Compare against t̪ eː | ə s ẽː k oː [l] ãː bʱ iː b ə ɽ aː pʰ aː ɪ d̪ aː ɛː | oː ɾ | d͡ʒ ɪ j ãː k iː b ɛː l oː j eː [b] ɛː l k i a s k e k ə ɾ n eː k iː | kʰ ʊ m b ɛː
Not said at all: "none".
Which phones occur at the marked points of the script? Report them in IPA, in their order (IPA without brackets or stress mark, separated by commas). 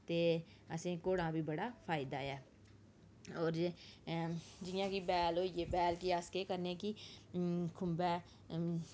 ɽ, b